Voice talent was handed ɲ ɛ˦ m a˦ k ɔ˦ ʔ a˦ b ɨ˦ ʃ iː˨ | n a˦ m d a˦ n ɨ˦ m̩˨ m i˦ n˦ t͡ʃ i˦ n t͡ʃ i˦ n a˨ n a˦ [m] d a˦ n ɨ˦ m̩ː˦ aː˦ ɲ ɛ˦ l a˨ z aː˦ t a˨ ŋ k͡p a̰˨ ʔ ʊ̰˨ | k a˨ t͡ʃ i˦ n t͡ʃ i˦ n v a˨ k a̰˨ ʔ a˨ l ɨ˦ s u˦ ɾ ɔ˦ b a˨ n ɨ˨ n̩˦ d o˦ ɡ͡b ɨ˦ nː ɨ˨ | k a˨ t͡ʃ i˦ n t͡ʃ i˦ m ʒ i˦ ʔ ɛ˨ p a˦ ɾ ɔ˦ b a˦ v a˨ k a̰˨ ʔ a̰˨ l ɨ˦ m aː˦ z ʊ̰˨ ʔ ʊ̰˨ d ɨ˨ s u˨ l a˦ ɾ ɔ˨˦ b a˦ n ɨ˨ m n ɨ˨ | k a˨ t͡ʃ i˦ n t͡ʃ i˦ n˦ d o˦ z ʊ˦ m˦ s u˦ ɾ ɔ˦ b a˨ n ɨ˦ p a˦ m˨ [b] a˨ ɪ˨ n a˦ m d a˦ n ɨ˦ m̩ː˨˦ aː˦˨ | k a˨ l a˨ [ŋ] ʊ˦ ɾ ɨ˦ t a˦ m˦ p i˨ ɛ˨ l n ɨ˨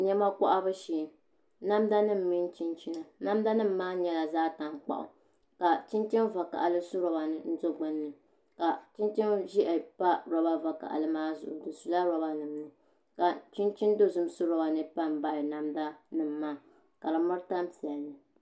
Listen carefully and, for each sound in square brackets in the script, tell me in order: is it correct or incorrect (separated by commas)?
correct, correct, incorrect